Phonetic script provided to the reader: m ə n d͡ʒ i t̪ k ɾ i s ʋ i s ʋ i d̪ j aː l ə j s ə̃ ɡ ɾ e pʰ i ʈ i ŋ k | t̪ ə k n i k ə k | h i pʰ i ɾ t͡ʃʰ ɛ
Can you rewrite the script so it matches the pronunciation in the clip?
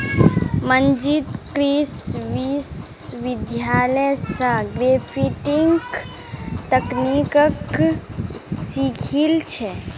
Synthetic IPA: m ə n d͡ʒ i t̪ k ɾ i s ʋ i s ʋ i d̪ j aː l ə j s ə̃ ɡ ɾ e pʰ i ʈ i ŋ k | t̪ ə k n i k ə k | s i kʰ i l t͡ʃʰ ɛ

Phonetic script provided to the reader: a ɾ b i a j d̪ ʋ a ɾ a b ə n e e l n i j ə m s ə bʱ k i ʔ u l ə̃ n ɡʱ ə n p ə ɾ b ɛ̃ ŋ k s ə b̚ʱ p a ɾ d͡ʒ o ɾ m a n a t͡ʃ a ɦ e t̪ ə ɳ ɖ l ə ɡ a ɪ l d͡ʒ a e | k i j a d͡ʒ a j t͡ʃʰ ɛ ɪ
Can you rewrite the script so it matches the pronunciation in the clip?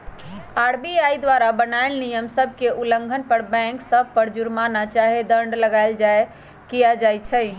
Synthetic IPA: a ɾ b i a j d̪ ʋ a ɾ a b ə n a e l n i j ə m s ə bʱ k e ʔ u l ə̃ ŋ ɡʱ ə n p ə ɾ b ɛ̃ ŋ k s ə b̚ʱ p ə ɾ d͡ʒ u ɾ m a n a t͡ʃ a ɦ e d̪ ə ɳ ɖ l ə ɡ a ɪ l d͡ʒ a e | k i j a d͡ʒ a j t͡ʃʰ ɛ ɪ

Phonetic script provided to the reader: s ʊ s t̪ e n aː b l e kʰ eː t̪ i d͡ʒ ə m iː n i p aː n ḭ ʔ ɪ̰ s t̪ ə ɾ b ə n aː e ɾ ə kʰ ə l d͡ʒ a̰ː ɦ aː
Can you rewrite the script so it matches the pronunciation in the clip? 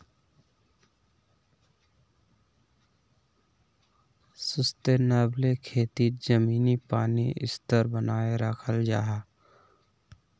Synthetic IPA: s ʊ s t̪ e n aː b l e kʰ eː t̪ i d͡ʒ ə m iː n i p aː n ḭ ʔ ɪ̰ s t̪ ə ɾ b ə n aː e ɾ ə kʰ ə l d͡ʒ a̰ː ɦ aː

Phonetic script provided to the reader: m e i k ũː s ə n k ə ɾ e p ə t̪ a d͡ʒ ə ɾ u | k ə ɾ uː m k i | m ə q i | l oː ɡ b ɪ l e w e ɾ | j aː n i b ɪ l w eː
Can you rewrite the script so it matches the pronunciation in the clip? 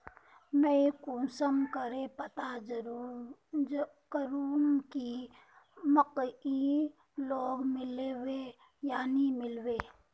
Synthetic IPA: m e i k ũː s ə m k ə ɾ e p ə t̪ a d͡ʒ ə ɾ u | k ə ɾ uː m k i | m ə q i | l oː ɡ m ɪ l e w e | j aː n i m ɪ l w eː

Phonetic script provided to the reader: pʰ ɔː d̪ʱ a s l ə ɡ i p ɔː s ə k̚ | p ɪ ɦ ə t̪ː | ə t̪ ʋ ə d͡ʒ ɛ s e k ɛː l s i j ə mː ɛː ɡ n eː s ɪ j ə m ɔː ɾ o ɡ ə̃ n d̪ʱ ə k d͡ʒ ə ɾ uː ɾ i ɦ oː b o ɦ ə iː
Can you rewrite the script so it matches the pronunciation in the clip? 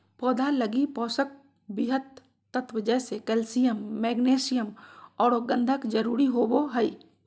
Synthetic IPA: p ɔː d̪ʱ a l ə ɡ i p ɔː s ə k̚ | b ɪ ɦ ə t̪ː | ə t̪ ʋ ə d͡ʒ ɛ s e k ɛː l s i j ə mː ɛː ɡ n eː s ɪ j ə m ɔː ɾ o ɡ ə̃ n d̪ʱ ə k d͡ʒ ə ɾ uː ɾ i ɦ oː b o ɦ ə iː

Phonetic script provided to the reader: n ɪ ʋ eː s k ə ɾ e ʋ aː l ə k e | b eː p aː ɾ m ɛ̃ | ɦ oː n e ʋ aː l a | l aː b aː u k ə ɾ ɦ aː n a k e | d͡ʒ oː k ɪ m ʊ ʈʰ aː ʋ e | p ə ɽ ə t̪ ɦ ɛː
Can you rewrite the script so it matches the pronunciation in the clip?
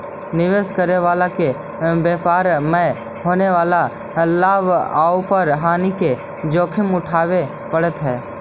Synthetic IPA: n ɪ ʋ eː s k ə ɾ e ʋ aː l a k e | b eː p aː ɾ m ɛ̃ | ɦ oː n e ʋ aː l a | l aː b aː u p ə ɾ ɦ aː n i k e | d͡ʒ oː kʰ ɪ m ʊ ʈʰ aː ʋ e | p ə ɽ ə t̪ ɦ ɛː

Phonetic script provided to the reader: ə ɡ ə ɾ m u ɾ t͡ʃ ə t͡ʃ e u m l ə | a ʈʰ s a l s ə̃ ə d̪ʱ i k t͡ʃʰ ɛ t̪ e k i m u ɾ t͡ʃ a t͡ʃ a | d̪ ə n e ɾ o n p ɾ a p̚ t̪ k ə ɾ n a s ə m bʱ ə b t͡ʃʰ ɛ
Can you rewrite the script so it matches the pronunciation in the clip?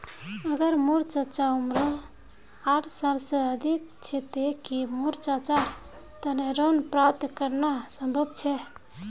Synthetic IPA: ə ɡ ə ɾ m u ɾ t͡ʃ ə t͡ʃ a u m ɾ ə | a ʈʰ s a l s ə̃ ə d̪ʱ i k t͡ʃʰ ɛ t̪ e k i m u ɾ t͡ʃ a t͡ʃ a | t̪ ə n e ɾ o n p ɾ a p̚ t̪ k ə ɾ n a s ə m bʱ ə b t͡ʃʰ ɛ

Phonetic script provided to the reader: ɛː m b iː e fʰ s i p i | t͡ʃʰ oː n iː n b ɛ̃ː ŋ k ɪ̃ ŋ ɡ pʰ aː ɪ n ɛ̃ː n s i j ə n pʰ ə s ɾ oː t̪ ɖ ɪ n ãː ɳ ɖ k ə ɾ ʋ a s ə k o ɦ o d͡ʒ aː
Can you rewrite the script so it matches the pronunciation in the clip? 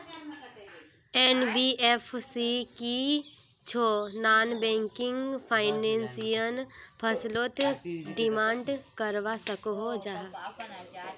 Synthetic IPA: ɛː n b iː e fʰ s i k i | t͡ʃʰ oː n aː n b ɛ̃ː ŋ k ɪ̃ ŋ ɡ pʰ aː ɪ n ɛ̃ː n s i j ə n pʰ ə s l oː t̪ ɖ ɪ m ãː ɳ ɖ k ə ɾ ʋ a s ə k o ɦ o d͡ʒ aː

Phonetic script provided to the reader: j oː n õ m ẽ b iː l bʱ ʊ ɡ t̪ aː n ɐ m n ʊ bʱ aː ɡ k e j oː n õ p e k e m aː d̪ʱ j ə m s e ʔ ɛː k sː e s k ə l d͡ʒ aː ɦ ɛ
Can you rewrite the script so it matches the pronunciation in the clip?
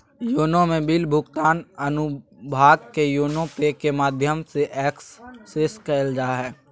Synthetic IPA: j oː n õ m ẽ b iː l bʱ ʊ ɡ t̪ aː n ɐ n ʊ bʱ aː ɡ k e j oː n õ p e k e m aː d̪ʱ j ə m s e ʔ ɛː k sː e s k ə l d͡ʒ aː ɦ ɛː

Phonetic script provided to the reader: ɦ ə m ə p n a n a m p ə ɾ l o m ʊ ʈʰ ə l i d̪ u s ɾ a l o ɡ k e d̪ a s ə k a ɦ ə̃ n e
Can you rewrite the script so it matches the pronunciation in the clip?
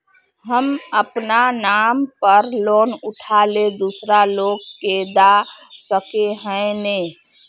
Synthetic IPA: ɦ ə m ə p n a n a m p ə ɾ l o n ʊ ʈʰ a l e d̪ u s ɾ a l o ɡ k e d̪ a s ə k e ɦ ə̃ n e

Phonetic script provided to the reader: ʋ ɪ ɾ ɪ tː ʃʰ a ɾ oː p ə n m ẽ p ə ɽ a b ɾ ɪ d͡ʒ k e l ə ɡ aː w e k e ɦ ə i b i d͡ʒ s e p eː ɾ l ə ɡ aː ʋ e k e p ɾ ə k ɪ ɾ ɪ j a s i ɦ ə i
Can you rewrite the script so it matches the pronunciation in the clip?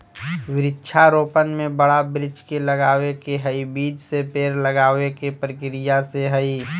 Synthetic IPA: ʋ ɪ ɾ ɪ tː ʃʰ a ɾ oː p ə n m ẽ b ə ɽ a b ɾ ɪ d͡ʒ k e l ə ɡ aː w e k e ɦ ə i b iː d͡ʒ s e p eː ɾ l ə ɡ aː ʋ e k e p ɾ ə k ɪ ɾ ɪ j a s e ɦ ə i

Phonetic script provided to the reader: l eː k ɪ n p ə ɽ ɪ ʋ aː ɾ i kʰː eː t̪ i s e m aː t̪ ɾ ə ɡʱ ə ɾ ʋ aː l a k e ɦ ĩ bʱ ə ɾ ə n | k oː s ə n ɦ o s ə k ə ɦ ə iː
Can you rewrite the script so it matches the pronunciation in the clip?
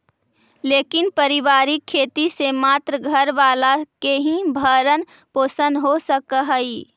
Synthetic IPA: l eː k ɪ n p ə ɾ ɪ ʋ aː ɾ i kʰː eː t̪ i s e m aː t̪ ɾ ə ɡʱ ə ɾ ʋ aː l a k e ɦ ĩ bʱ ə ɾ ə n | p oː s ə n ɦ o s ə k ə ɦ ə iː

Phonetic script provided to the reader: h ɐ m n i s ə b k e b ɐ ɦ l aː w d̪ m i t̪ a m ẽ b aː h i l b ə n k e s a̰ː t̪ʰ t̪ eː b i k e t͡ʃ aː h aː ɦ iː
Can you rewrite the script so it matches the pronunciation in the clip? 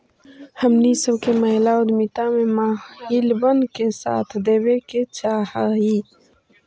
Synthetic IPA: h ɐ m n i s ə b k e m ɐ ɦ l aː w d̪ m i t̪ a m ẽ m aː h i l b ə n k e s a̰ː t̪ʰ d̪ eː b e k e t͡ʃ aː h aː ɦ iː

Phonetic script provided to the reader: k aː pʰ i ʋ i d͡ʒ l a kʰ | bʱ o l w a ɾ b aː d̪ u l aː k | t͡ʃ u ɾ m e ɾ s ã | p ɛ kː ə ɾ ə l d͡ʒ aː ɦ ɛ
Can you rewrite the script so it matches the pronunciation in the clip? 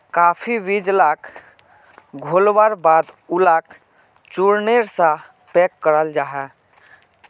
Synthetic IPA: k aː pʰ i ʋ i d͡ʒ l a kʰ | ɡʱ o l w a ɾ b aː d̪ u l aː k | t͡ʃ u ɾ n e ɾ s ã | p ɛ kː ə ɾ ə l d͡ʒ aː ɦ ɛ

